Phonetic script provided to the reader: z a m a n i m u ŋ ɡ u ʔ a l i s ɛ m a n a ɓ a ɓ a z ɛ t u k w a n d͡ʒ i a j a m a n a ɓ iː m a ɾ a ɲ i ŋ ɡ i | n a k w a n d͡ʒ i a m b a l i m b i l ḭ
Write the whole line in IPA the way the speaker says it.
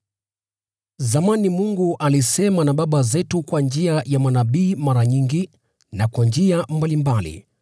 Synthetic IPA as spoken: z a m a n i m u ŋ ɡ u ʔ a l i s ɛ m a n a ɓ a ɓ a z ɛ t u k w a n d͡ʒ i a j a m a n a ɓ iː m a ɾ a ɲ i ŋ ɡ i | n a k w a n d͡ʒ i a m b a l i m b a l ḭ